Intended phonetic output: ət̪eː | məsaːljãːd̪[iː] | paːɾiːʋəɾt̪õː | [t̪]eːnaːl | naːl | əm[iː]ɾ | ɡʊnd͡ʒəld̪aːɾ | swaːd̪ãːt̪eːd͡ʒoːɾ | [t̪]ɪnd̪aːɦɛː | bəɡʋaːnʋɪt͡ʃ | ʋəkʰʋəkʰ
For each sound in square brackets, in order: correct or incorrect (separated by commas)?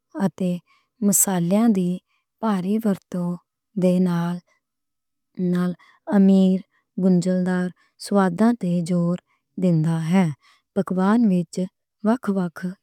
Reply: correct, incorrect, correct, incorrect